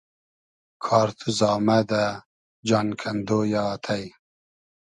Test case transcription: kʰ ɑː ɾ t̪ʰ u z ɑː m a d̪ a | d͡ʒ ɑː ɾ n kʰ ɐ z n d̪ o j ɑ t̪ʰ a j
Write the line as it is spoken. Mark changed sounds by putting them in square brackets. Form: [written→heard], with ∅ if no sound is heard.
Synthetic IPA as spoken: kʰ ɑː ɾ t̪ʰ u z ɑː m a d̪ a | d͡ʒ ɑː [ɾ→∅] n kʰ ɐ [z→∅] n d̪ o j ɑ t̪ʰ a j